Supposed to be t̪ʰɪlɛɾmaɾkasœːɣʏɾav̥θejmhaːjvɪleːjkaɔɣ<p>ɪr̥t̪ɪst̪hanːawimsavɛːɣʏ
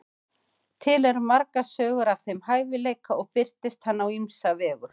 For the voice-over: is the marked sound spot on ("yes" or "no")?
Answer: yes